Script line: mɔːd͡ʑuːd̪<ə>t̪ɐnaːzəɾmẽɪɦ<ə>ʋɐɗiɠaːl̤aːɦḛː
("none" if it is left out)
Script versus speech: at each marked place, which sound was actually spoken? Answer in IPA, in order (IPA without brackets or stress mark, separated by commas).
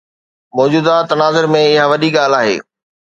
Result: a, a